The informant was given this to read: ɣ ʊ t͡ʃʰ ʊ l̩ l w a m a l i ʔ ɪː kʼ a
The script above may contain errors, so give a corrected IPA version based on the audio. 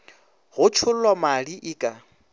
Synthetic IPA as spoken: ɣ ʊ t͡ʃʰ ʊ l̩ l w a m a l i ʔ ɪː kʼ a